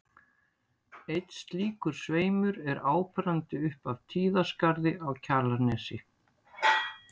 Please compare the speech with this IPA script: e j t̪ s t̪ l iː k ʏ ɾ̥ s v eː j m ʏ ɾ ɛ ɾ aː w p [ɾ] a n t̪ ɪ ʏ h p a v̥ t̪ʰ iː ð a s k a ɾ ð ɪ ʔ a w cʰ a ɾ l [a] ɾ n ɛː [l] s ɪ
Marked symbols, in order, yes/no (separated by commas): yes, yes, no